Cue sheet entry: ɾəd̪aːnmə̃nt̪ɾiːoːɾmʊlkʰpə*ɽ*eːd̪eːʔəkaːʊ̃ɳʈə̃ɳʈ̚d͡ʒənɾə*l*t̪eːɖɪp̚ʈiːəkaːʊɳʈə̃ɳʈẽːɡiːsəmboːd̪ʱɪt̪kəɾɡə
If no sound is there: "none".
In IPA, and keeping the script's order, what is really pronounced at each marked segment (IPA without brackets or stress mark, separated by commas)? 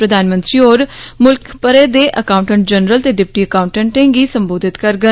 ɾ, l